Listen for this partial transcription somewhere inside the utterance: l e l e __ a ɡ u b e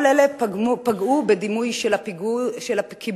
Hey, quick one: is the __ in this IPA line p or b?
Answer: p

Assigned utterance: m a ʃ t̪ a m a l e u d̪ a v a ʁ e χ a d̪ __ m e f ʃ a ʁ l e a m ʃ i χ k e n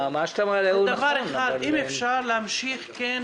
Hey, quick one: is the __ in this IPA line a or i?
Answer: i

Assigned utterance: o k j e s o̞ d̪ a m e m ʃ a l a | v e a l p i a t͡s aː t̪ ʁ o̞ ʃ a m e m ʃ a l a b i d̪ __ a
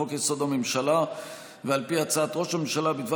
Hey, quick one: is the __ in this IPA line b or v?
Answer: v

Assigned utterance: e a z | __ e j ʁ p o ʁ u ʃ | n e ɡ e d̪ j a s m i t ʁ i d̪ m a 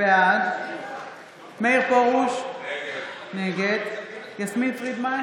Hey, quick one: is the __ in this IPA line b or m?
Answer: m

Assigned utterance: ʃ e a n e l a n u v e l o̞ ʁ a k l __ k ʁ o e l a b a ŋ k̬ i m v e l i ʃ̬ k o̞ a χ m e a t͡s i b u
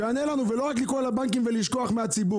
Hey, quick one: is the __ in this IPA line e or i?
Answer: i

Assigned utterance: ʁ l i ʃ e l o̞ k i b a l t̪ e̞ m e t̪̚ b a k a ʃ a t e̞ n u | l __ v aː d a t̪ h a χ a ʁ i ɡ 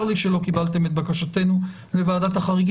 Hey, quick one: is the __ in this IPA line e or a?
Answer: e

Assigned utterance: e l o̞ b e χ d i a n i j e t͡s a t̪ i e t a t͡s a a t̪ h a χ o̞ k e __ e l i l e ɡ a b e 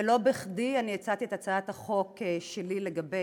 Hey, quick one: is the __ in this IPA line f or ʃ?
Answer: ʃ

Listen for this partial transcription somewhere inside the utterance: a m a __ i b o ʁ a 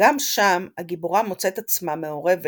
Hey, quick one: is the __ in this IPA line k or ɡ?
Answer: ɡ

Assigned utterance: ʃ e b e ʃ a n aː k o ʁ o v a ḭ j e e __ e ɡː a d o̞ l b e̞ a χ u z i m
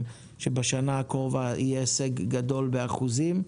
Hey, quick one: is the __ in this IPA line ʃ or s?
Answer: s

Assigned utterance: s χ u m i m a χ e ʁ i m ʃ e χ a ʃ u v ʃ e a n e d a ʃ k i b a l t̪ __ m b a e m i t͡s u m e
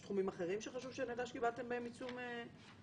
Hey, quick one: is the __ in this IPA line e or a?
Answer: e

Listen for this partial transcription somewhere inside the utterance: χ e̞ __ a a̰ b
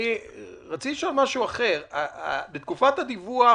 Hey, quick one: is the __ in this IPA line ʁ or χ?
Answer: ʁ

